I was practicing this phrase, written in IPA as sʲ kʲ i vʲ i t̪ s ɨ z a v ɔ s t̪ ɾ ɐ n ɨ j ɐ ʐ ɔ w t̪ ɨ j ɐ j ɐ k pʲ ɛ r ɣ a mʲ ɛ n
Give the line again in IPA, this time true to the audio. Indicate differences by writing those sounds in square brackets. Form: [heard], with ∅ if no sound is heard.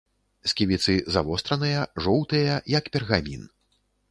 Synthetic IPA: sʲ kʲ i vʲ i t̪ s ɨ z a v ɔ s t̪ ɾ ɐ n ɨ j ɐ ʐ ɔ w t̪ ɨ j ɐ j ɐ k pʲ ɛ r ɣ a mʲ [i] n